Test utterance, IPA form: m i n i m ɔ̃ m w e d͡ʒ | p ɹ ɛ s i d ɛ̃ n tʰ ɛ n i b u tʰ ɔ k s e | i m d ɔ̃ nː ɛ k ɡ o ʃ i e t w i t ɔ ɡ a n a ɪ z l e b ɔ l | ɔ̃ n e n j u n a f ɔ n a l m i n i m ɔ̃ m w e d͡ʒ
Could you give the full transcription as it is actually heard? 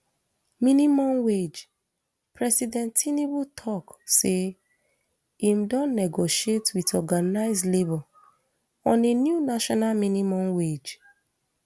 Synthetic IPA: m i n i m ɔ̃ m w e d͡ʒ | p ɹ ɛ s i d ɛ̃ n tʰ i n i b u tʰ ɔ k s e | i m d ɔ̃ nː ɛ ɡ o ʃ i e t w i t ɔ ɡ a n a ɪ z l e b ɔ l | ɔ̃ n e n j u n a ʃ ɔ n a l m i n i m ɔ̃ m w e d͡ʒ